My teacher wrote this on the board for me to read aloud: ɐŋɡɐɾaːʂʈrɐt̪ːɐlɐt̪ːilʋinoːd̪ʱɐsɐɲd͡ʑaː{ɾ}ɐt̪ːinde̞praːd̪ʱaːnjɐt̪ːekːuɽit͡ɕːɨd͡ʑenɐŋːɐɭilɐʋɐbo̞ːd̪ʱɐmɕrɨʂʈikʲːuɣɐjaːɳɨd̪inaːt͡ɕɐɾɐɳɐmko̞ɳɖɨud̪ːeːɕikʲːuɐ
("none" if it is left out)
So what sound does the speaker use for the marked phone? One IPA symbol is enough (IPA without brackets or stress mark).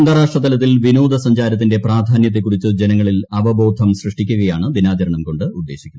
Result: ɾ